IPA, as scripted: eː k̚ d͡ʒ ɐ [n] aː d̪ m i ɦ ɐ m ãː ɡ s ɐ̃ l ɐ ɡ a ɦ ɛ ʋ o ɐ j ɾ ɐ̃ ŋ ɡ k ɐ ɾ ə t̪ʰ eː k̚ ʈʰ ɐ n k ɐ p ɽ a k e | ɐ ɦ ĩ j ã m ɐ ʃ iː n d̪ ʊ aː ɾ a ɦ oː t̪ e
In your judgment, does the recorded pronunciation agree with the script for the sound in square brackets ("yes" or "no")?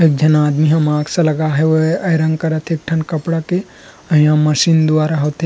yes